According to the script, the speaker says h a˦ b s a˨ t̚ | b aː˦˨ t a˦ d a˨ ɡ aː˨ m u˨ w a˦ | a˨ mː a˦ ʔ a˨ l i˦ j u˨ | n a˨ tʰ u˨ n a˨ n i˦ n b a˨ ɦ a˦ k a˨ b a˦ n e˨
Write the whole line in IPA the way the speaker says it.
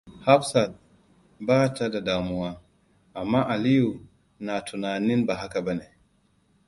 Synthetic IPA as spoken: h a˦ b s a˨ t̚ | b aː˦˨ t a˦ d a˨ d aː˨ m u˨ w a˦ | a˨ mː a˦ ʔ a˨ l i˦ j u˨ | n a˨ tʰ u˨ n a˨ n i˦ n b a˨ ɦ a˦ k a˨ b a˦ n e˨